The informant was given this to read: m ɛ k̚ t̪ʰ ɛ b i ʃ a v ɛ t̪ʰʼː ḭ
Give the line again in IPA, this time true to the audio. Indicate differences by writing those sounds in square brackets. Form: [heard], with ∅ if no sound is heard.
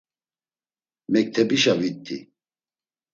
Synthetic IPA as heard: m ɛ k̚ t̪ʰ ɛ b i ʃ a v [i] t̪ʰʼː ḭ